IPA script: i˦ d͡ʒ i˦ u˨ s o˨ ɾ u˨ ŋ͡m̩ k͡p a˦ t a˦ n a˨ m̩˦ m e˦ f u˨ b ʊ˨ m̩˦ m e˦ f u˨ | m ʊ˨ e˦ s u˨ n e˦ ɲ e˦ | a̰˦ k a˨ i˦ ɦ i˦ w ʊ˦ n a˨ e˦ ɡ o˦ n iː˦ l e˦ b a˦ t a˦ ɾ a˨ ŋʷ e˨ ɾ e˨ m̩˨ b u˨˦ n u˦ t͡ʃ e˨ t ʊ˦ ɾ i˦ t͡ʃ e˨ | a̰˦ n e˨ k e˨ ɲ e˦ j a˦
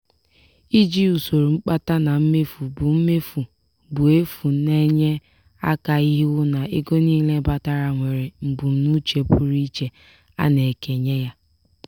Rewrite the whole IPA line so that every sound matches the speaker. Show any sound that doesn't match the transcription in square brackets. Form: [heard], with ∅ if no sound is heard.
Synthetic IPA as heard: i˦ d͡ʒ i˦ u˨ s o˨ ɾ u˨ ŋ͡m̩ k͡p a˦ t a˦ n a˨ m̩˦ m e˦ f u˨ b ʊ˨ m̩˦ m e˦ f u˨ | [b] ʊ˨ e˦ [f] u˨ n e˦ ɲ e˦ | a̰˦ k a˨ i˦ ɦ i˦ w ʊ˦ n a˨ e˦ ɡ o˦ n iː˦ l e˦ b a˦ t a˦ ɾ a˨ ŋʷ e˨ ɾ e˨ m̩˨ b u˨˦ n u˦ t͡ʃ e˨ [p] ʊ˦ ɾ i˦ t͡ʃ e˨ | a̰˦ n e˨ k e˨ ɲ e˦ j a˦